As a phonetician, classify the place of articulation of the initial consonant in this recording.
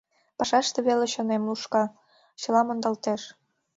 labial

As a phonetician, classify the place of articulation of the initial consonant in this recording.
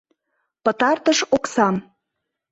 labial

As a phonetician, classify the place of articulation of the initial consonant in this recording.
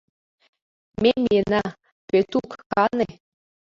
labial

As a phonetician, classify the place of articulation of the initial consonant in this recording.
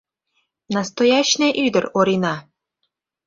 alveolar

